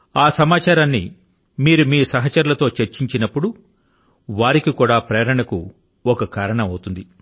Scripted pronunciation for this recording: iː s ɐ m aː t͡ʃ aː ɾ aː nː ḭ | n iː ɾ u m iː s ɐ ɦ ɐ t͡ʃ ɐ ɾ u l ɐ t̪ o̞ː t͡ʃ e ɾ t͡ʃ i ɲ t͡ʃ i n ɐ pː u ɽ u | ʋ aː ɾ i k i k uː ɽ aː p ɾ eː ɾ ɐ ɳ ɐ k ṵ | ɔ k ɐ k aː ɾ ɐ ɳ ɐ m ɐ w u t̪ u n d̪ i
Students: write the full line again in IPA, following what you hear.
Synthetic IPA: aː s ɐ m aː t͡ʃ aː ɾ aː nː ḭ | m iː ɾ u m iː s ɐ ɦ ɐ t͡ʃ ɐ ɾ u l ɐ t̪ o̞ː t͡ʃ e ɾ t͡ʃ i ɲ t͡ʃ i n ɐ pː u ɽ u | ʋ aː ɾ i k i k uː ɽ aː p ɾ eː ɾ ɐ ɳ ɐ k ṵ | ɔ k ɐ k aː ɾ ɐ ɳ ɐ m ɐ w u t̪ u n d̪ i